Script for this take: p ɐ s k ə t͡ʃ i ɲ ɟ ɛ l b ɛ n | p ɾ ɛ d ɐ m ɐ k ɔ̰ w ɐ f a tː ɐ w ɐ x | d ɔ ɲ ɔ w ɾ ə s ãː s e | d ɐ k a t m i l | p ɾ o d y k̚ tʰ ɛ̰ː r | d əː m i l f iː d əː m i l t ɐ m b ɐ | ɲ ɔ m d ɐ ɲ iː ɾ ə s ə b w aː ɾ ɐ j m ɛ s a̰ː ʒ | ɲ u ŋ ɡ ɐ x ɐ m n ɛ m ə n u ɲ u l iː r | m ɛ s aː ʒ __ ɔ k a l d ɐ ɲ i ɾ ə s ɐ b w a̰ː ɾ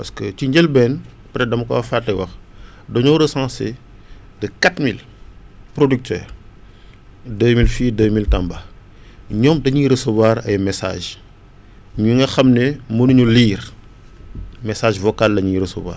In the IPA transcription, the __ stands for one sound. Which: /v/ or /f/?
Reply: v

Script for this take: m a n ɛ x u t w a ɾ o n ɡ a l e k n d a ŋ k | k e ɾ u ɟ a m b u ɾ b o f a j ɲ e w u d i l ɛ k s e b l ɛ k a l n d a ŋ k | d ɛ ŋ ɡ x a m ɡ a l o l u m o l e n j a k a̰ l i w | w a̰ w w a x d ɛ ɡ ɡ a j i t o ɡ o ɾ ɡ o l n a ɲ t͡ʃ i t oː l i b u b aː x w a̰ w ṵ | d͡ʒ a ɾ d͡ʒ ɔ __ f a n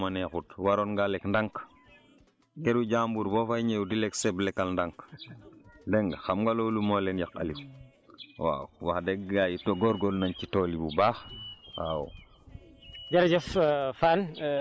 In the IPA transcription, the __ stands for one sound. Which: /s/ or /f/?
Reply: f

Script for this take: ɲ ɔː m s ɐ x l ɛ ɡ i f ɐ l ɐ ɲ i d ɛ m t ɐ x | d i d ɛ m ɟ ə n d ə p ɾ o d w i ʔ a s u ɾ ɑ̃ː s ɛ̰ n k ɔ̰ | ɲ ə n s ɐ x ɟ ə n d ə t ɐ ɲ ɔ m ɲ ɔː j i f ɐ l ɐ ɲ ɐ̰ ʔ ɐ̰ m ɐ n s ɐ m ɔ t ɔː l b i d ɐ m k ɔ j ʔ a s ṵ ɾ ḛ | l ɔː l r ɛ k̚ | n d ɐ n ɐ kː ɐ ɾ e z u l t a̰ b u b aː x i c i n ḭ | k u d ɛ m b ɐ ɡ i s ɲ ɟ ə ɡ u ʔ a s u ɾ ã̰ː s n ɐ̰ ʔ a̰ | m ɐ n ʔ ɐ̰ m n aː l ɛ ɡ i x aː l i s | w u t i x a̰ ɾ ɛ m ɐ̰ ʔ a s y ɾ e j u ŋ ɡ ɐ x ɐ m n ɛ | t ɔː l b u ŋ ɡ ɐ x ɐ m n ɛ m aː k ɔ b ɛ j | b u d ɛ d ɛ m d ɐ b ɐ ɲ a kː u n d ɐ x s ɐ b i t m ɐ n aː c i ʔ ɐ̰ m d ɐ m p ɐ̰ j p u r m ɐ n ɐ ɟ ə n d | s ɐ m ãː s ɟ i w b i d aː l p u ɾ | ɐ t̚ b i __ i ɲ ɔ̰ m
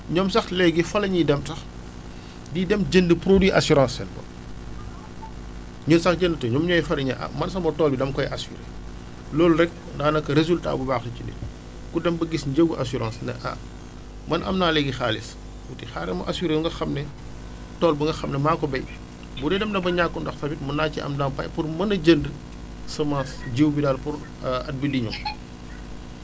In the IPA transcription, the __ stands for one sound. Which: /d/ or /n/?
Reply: d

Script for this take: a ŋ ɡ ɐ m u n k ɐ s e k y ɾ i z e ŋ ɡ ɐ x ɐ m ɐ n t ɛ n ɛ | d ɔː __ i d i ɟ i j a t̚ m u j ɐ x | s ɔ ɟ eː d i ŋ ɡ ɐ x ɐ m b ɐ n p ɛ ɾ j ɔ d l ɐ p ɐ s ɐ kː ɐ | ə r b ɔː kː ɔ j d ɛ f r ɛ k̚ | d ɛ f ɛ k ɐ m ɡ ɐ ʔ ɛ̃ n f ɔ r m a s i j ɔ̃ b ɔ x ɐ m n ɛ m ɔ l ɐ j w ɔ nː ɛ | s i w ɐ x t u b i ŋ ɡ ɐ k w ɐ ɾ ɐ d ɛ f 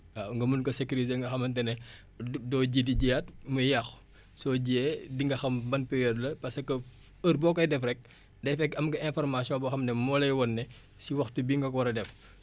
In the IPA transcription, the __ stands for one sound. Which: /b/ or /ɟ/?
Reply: ɟ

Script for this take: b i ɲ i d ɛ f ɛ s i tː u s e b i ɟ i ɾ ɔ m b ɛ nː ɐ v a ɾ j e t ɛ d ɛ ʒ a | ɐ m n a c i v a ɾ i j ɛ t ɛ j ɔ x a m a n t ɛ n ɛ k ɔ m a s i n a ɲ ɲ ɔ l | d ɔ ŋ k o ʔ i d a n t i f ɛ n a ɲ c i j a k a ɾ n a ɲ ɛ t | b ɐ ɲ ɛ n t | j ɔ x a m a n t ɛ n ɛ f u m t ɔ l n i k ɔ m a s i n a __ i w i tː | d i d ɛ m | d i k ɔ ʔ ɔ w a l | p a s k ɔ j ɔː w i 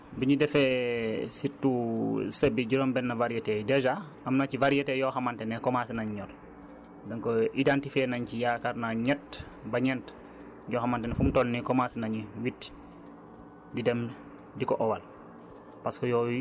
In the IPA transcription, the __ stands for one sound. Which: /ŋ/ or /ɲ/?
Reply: ɲ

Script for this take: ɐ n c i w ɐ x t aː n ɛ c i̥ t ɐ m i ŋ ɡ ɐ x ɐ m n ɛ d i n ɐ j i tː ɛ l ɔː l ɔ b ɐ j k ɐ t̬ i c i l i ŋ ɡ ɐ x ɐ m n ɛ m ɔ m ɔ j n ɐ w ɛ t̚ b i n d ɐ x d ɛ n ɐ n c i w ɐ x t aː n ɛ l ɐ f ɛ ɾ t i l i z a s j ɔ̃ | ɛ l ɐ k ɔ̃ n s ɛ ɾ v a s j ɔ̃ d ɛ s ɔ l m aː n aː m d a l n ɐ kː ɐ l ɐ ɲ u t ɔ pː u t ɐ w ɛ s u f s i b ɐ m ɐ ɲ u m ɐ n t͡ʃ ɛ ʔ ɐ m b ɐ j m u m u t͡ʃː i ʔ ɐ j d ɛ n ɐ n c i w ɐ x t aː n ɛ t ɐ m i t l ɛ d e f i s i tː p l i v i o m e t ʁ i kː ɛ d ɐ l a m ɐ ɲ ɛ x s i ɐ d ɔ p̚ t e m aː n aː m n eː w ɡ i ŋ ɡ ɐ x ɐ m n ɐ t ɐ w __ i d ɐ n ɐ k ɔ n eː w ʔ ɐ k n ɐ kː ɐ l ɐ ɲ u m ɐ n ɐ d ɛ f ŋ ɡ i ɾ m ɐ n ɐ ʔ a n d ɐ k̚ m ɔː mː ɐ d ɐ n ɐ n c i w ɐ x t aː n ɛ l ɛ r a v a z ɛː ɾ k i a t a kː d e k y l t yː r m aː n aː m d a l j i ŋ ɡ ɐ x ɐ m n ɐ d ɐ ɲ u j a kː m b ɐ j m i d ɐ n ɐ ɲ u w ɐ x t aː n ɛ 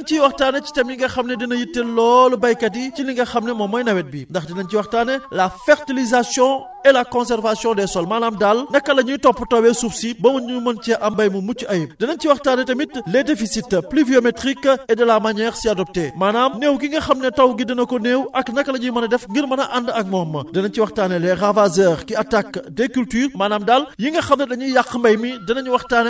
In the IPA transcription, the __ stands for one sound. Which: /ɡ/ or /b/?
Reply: ɡ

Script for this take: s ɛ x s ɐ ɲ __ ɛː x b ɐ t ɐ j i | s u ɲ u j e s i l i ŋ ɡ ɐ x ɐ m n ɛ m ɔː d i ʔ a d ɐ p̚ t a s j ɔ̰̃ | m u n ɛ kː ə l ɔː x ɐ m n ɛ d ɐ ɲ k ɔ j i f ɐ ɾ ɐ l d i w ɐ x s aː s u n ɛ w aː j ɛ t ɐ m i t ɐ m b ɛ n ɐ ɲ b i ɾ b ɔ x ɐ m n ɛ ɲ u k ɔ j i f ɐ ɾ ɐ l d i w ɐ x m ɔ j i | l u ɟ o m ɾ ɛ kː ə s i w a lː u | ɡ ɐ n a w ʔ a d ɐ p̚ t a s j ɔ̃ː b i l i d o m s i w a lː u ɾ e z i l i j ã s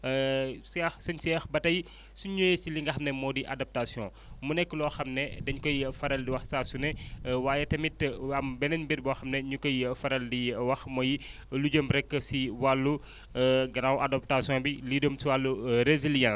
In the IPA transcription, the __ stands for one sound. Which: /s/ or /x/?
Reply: s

